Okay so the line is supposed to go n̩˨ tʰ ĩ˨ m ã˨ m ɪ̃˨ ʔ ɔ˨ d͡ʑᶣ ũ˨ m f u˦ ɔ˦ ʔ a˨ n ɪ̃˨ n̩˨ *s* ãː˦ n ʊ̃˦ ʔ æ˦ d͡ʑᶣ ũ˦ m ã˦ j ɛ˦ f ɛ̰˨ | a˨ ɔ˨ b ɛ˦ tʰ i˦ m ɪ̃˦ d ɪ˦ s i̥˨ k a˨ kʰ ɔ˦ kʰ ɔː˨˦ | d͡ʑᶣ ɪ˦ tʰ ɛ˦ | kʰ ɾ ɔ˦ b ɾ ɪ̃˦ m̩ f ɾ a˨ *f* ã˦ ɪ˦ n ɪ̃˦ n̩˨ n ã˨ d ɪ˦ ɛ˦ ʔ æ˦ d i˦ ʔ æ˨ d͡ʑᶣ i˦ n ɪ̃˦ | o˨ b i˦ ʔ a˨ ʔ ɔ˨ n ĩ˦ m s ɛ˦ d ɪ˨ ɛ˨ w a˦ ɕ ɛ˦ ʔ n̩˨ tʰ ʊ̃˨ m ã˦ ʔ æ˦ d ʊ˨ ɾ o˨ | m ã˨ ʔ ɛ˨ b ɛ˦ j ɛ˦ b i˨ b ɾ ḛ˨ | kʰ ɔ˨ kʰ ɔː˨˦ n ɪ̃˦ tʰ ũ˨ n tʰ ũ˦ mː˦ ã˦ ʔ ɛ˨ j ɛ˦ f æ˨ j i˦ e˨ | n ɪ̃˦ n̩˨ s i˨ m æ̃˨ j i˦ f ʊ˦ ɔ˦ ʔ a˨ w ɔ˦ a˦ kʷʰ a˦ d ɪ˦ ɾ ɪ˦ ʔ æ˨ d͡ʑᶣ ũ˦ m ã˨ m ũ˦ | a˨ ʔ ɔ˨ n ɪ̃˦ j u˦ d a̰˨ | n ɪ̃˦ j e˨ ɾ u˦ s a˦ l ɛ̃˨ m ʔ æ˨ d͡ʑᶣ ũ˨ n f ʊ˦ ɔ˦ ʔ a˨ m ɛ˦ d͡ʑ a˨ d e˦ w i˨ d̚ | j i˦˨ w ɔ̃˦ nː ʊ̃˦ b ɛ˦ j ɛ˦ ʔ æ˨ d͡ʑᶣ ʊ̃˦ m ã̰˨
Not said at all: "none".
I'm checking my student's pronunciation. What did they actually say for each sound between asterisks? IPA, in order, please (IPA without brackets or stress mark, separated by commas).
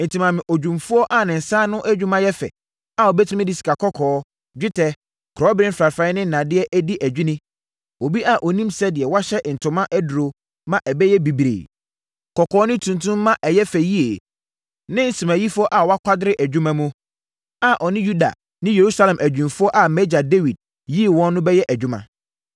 s, f